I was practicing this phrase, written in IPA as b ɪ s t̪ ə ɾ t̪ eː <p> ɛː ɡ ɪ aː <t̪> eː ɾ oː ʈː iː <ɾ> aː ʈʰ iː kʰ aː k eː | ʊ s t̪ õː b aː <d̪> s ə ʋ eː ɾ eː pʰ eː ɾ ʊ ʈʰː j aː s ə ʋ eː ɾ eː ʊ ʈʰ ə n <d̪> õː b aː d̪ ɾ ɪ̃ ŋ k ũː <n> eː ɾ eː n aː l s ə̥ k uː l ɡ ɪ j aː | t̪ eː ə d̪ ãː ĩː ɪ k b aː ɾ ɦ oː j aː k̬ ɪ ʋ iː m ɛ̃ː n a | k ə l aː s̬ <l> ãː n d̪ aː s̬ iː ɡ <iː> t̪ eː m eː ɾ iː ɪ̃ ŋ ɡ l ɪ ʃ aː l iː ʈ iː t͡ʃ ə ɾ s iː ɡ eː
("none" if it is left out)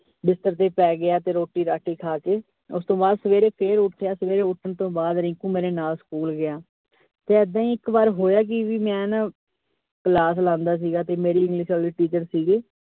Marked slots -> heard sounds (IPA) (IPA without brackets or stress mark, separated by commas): p, t̪, ɾ, d̪, t̪, m, l, aː